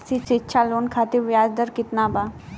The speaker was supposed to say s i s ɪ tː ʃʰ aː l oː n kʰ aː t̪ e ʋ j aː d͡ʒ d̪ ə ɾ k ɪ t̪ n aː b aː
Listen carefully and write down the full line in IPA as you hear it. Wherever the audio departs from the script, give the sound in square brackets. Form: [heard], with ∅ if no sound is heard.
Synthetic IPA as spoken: s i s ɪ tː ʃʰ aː l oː n kʰ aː t̪ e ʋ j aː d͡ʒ d̪ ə ɾ k ɪ t̪ n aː b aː

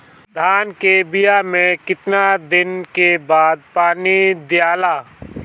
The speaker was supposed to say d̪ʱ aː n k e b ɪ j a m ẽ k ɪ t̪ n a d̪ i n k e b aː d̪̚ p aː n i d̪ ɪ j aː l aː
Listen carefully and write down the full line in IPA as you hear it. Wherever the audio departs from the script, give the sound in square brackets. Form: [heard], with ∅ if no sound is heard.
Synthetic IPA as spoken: d̪ʱ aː n k e b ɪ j a m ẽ k ɪ t̪ n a d̪ [ɪ] n k e b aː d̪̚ p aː n i d̪ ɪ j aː l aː

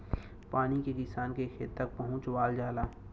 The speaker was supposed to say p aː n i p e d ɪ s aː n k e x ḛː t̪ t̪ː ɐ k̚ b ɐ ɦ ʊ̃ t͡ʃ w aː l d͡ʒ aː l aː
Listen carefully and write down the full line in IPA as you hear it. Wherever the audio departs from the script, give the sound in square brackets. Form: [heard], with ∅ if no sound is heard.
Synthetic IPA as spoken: p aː n i [k] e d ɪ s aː n k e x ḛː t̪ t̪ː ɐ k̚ [p] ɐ ɦ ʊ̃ t͡ʃ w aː l d͡ʒ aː l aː

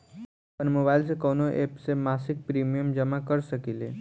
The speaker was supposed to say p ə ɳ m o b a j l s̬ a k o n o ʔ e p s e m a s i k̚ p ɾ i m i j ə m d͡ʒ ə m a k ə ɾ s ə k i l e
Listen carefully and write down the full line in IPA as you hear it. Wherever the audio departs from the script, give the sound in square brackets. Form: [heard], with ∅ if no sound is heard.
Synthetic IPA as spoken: p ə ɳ m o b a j l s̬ [e] k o n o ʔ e p s e m a s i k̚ p ɾ i m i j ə m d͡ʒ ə m a k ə ɾ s ə k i l e

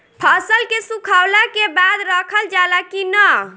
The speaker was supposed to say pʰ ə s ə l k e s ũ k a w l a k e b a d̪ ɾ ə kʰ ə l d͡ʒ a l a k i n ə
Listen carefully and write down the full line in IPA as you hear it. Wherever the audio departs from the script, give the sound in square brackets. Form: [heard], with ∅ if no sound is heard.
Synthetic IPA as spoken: pʰ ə s ə l k e s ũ [kʰ] a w l a k e b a d̪ ɾ ə kʰ ə l d͡ʒ a l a k i n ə

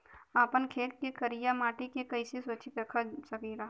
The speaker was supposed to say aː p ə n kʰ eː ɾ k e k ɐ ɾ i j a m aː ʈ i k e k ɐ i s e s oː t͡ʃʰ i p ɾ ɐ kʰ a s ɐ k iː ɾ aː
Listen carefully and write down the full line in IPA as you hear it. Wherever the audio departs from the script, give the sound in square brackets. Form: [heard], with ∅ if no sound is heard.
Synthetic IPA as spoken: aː p ə n kʰ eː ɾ k e k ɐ ɾ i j a m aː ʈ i k e k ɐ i s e s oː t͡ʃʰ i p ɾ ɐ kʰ a s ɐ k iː ɾ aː

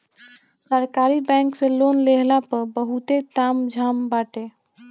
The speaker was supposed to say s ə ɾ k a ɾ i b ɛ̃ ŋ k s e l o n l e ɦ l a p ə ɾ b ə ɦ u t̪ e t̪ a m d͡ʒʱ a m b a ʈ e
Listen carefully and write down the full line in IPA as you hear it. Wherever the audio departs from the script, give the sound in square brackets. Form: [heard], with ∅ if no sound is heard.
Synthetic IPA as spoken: s ə ɾ k a ɾ i b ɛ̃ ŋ k s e l o n l e ɦ l a p ə ɾ b ə ɦ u t̪ e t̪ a m d͡ʒʱ a m b a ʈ e

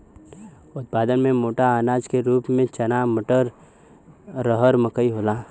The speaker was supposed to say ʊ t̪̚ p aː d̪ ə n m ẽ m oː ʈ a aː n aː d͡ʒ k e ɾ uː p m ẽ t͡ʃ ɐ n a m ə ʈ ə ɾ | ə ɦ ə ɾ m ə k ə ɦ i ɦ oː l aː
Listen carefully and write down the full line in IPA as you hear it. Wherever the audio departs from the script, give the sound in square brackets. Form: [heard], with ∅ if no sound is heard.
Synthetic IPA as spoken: ʊ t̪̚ p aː d̪ ə n m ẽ m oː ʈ a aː n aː d͡ʒ k e ɾ uː p m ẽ t͡ʃ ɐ n a m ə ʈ ə ɾ | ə ɦ ə ɾ m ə k ə [∅] i ɦ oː l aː

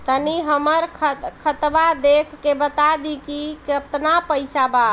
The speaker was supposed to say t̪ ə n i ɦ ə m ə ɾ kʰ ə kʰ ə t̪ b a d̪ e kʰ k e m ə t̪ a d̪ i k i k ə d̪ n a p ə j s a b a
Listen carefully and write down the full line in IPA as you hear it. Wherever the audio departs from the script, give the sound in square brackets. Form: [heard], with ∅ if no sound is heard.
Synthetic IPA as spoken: t̪ ə n i ɦ ə m ə ɾ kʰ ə kʰ ə t̪ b a d̪ e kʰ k e [b] ə t̪ a d̪ i k i k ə [t̪] n a p ə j s a b a

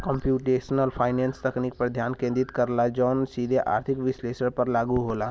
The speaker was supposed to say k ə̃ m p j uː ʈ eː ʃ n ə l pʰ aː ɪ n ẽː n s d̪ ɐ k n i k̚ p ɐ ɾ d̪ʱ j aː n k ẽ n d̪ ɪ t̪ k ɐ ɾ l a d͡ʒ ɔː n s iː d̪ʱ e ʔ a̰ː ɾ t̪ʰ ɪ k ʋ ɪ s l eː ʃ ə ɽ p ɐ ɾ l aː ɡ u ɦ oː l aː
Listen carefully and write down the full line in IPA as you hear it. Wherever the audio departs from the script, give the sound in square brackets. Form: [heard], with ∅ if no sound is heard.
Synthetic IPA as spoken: k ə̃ m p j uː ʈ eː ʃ n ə l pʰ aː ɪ n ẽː n s [t̪] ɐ k n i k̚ p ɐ ɾ d̪ʱ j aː n k ẽ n d̪ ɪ t̪ k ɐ ɾ l a d͡ʒ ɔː n s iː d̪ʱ e ʔ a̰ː ɾ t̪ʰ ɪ k ʋ ɪ s l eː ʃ ə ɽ p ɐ ɾ l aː ɡ u ɦ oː l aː

